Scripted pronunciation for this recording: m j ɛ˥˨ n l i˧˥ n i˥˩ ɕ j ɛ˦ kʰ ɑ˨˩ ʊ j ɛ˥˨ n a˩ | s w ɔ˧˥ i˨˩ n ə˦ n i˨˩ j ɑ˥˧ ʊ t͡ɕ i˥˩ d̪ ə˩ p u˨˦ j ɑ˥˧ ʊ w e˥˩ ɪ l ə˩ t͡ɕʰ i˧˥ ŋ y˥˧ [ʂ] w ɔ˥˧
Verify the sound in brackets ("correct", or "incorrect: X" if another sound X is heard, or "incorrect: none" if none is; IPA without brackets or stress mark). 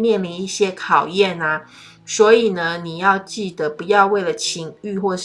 incorrect: x